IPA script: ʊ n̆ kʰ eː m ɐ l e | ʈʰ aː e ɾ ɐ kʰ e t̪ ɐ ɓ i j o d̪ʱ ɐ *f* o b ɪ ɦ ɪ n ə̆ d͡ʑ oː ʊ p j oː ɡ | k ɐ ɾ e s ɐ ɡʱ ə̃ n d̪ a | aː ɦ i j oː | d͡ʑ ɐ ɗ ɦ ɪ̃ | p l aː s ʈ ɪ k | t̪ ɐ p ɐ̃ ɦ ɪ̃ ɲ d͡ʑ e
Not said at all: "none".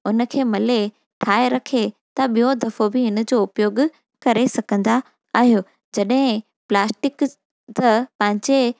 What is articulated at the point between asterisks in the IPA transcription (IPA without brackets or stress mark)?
f